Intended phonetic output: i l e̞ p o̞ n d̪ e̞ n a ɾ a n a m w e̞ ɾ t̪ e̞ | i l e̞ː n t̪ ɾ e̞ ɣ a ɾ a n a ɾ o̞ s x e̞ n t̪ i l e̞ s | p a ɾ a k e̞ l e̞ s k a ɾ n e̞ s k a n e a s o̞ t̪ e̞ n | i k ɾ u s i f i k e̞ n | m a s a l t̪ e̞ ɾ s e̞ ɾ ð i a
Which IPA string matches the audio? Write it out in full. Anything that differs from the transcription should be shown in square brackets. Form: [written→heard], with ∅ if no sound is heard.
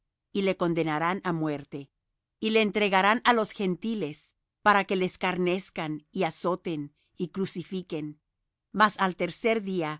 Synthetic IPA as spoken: i l e̞ [p→k] o̞ n d̪ e̞ n a ɾ a n a m w e̞ ɾ t̪ e̞ | i l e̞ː n t̪ ɾ e̞ ɣ a ɾ a n a [ɾ→l] o̞ s x e̞ n t̪ i l e̞ s | p a ɾ a k e̞ l e̞ s k a ɾ n e̞ s k a n [e→i] a s o̞ t̪ e̞ n | i k ɾ u s i f i k e̞ n | m a s a l t̪ e̞ ɾ s e̞ ɾ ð i a